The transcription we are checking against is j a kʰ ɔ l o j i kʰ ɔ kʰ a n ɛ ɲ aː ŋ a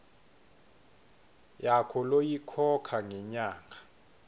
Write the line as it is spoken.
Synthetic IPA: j a kʰ ɔ l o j i kʰ ɔ kʰ a ŋ ɛ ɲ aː ŋ a